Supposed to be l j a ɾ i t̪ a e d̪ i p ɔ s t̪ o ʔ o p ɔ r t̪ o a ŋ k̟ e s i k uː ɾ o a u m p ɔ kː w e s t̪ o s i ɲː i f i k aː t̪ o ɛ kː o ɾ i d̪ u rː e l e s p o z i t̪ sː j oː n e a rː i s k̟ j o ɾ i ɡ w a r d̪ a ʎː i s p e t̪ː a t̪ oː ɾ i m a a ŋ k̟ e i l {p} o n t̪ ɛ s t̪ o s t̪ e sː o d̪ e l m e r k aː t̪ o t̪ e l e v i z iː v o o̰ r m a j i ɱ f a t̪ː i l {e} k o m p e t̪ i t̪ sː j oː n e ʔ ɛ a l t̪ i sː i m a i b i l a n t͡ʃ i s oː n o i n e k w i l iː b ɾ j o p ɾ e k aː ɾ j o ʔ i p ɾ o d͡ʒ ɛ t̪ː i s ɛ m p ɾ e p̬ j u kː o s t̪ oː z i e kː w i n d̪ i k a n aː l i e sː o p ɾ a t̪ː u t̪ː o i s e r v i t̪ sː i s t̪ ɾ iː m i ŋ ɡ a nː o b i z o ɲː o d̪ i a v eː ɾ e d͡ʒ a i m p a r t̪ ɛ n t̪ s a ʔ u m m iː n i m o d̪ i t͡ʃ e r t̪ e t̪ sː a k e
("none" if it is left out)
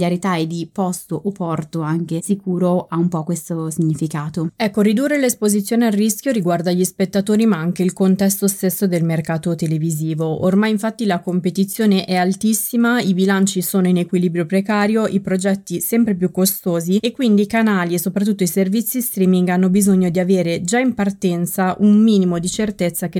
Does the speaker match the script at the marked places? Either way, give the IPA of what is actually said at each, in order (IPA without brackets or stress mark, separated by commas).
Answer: k, a